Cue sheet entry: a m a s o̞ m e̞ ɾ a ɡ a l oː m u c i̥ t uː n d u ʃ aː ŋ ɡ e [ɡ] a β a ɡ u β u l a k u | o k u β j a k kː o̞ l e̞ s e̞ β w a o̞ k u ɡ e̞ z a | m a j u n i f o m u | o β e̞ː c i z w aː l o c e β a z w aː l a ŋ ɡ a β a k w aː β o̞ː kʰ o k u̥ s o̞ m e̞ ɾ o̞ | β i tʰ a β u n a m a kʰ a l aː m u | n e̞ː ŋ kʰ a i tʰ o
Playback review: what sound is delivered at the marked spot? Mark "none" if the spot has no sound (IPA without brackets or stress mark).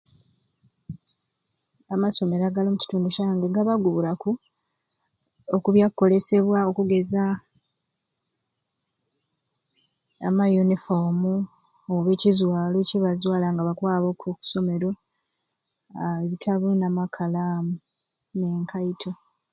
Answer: ɡ